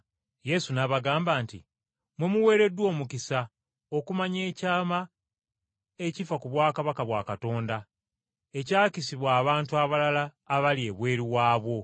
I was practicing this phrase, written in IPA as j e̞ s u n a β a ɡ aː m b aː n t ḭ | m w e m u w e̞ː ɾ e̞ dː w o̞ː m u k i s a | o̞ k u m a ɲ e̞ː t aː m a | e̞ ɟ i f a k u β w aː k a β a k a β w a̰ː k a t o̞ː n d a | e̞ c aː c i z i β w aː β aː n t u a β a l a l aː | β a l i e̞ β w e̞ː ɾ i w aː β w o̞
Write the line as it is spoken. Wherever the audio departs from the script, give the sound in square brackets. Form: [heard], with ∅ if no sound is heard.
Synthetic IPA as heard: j e̞ s u n a β a ɡ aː m b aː n t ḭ | m w e m u w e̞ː ɾ e̞ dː w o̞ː m u k i s a | o̞ k u m a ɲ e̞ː [c] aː m a | e̞ [c] i f a k u β w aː k a β a k a β w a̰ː k a t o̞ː n d a | e̞ c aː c i [s] i β w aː β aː n t u a β a l a l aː | β a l i e̞ β w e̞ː ɾ i w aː β w o̞

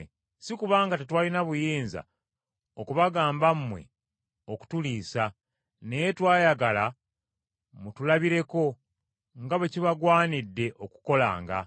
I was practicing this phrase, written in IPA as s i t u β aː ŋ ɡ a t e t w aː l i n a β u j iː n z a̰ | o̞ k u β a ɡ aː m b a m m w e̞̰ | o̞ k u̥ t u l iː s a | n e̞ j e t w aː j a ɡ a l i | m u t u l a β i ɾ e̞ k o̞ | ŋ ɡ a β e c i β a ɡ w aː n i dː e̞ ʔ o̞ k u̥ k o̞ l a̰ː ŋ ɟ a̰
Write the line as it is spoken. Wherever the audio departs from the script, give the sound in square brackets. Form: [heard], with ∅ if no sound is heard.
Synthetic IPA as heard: s i [k] u β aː ŋ ɡ a t e t w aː l i n a β u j iː n z a̰ | o̞ k u β a ɡ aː m b a m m w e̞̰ | o̞ k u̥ t u l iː s a | n e̞ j e t w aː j a ɡ a l [a] | m u t u l a β i ɾ e̞ k o̞ | ŋ ɡ a β e c i β a ɡ w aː n i dː e̞ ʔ o̞ k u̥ k o̞ l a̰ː ŋ [ɡ] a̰

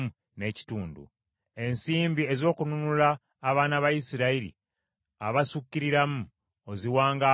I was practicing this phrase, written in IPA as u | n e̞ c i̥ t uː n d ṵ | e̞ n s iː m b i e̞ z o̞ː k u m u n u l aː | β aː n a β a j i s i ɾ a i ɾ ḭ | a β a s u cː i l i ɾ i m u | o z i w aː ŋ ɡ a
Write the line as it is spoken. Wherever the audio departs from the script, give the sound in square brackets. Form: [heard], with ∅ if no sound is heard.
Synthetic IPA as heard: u | n e̞ c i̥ t uː n d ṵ | e̞ n s iː m b i e̞ z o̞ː k u [n] u n u l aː | β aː n a β a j i s i ɾ a i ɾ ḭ | a β a s u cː i [ɾ] i ɾ [a] m u | o z i w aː ŋ ɡ a

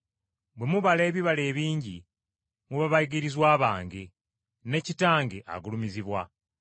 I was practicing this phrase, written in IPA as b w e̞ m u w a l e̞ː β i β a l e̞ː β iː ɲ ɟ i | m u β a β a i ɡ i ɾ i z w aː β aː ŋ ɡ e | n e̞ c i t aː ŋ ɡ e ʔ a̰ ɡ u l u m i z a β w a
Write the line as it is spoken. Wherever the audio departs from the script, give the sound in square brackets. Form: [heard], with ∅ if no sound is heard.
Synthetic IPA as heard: b w e̞ m u [β] a l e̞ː β i β a l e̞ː β iː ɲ ɟ i | m u β a β a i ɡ i ɾ i z w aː β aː ŋ ɡ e | n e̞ c i t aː ŋ ɡ e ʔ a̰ ɡ u l u m i z [i] β w a

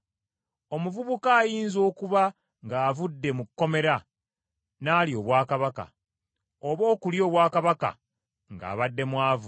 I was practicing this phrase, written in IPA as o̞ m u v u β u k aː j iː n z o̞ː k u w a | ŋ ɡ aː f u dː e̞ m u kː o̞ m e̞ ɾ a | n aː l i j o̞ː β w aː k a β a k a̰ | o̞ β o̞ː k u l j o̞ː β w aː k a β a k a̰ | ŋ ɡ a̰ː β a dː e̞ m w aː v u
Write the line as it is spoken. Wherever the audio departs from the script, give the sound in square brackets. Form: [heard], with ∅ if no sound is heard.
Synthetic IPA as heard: o̞ m u v u β u k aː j iː n z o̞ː k u [β] a | ŋ ɡ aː [v] u dː e̞ m u kː o̞ m e̞ ɾ a | n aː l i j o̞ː β w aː k a β a k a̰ | o̞ β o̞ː k u l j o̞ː β w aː k a β a k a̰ | ŋ ɡ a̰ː β a dː e̞ m w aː v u

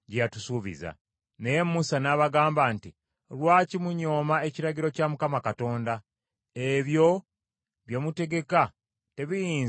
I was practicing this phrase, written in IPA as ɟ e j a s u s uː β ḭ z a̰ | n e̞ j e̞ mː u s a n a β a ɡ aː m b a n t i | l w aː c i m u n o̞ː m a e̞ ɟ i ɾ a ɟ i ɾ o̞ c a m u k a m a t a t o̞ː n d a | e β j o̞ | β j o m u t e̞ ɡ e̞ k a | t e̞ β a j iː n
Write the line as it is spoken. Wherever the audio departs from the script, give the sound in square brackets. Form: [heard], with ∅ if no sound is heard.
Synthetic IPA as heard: ɟ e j a [t] u s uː β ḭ z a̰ | n e̞ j e̞ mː u s a n a β a ɡ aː m b a n t i | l w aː c i m u [ɲ] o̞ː m a e̞ [c] i ɾ a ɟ i ɾ o̞ c a m u k a m a [k] a t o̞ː n d a | e β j o̞ | β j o m u t e̞ ɡ e̞ k a | t e̞ β [i] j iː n

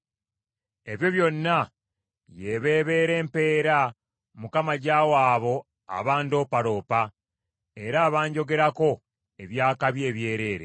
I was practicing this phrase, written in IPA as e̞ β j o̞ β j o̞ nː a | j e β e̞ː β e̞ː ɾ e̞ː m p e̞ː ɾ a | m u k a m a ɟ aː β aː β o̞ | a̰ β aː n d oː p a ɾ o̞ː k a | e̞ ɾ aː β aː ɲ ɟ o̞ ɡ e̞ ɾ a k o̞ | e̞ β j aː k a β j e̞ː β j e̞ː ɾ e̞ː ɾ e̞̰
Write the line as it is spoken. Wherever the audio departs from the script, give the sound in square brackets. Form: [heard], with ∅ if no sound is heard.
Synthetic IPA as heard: e̞ β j o̞ β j o̞ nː a | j e β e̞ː β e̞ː ɾ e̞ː m p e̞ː ɾ a | m u k a m a ɟ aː [w] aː β o̞ | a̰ β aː n d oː p a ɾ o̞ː [p] a | e̞ ɾ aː β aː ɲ ɟ o̞ ɡ e̞ ɾ a k o̞ | e̞ β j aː k a β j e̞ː β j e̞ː ɾ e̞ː ɾ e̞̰

